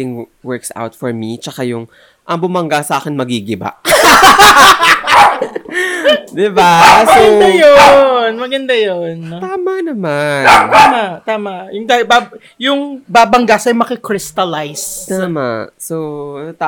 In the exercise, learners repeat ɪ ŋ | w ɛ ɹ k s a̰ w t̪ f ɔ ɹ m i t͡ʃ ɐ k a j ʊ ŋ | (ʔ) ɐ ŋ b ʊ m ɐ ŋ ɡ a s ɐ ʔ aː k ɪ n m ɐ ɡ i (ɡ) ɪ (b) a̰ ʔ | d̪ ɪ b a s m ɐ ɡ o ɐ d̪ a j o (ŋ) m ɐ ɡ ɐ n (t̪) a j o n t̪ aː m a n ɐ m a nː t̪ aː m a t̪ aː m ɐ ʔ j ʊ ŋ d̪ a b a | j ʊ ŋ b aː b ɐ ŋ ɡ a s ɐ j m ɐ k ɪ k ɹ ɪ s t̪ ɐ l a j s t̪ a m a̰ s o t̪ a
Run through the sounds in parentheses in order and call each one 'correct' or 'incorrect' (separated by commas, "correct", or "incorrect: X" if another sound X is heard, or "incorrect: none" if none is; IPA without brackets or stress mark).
correct, correct, correct, incorrect: n, incorrect: d̪